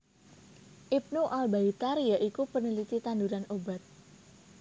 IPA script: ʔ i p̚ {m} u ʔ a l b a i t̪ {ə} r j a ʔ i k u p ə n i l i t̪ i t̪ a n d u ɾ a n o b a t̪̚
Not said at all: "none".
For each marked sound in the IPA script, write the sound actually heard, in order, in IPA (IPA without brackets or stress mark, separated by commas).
n, a